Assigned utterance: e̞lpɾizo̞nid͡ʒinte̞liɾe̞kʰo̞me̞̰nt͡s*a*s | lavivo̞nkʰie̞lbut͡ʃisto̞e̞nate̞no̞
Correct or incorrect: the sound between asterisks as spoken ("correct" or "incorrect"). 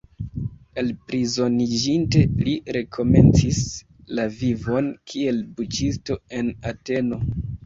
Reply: incorrect